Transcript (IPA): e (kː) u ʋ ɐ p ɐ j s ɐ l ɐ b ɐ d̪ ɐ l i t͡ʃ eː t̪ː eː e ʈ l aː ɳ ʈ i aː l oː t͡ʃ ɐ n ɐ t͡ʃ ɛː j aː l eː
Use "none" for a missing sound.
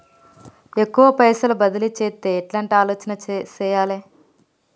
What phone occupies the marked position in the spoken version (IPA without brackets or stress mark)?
kː